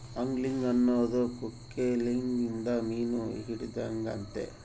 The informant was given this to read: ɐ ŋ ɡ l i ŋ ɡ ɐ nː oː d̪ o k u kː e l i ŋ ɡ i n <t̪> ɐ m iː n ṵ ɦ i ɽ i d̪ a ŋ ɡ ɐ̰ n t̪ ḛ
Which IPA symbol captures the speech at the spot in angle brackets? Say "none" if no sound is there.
d̪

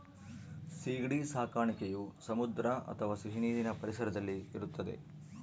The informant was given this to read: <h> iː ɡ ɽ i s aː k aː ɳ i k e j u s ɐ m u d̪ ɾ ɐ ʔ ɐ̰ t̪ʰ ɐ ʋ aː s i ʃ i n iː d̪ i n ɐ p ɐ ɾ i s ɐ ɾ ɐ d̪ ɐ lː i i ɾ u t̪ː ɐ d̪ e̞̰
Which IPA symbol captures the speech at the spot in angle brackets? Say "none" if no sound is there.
s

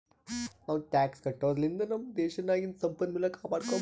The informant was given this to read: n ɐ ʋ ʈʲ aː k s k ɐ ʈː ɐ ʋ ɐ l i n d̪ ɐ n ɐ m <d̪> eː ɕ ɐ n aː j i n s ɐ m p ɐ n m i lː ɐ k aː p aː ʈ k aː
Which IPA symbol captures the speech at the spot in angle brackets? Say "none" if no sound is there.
d̪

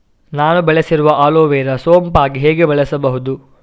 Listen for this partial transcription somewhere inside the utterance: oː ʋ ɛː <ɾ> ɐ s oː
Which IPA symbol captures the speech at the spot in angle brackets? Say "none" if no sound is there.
ɾ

